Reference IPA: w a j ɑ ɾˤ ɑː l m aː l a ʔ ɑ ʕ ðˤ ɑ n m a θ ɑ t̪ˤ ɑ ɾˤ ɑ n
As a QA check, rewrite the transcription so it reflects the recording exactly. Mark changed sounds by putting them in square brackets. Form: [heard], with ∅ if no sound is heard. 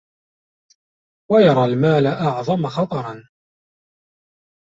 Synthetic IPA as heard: w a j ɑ ɾˤ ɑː l m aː l a ʔ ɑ ʕ ðˤ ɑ [∅] m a [x] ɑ t̪ˤ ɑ ɾˤ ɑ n